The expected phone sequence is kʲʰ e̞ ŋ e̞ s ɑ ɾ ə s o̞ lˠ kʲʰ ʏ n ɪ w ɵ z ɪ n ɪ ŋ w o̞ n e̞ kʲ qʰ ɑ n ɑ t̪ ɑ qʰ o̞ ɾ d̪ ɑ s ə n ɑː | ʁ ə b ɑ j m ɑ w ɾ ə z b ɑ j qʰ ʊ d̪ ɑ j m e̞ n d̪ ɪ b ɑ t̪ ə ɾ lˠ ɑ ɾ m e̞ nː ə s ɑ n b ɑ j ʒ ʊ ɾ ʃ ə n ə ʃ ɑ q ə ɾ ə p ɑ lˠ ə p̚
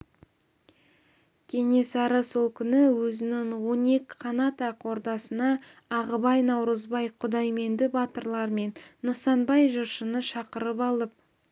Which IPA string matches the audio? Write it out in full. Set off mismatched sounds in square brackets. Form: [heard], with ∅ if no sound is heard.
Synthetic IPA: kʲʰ e̞ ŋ e̞ s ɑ ɾ ə s o̞ lˠ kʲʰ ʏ n ɪ w ɵ z ɪ n ɪ ŋ w o̞ n e̞ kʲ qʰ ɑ n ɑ t̪ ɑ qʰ o̞ ɾ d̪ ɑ s ə n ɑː | ʁ ə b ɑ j [n] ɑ w ɾ ə z b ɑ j qʰ ʊ d̪ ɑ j m e̞ n d̪ ɪ b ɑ t̪ ə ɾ lˠ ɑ ɾ m e̞ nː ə s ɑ n b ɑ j ʒ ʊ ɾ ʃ ə n ə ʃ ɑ q ə ɾ ə p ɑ lˠ ə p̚